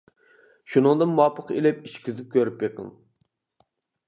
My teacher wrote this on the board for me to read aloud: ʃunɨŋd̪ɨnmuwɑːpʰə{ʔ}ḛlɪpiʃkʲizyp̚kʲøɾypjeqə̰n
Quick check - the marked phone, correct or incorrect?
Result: incorrect